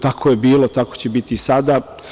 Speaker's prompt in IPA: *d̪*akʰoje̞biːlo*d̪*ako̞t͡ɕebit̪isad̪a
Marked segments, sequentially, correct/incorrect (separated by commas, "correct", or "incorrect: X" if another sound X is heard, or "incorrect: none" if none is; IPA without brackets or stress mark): incorrect: t̪, incorrect: t̪